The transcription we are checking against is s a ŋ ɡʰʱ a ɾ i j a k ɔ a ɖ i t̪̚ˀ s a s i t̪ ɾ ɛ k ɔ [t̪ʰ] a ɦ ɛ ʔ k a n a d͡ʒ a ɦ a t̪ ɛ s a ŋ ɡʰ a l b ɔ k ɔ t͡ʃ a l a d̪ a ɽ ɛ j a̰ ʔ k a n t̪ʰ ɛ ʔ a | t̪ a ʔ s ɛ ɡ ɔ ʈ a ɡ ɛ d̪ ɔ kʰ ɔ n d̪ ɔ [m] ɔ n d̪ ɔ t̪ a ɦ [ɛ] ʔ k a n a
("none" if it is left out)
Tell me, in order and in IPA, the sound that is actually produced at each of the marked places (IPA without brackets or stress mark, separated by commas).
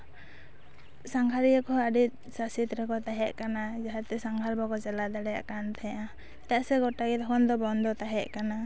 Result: t̪, b, ɛ